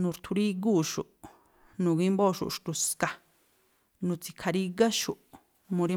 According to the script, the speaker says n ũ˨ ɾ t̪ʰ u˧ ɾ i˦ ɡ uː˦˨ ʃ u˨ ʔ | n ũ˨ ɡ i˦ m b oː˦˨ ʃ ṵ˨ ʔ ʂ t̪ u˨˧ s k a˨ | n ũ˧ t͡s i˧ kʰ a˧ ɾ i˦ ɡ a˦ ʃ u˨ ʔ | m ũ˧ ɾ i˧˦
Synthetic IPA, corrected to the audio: n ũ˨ ɾ t̪ʰ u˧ ɾ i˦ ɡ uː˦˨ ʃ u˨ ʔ | n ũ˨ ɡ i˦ m b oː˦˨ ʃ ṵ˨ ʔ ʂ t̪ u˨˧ s k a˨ | n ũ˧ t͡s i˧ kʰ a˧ ɾ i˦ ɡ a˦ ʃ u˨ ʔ | m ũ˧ ɾ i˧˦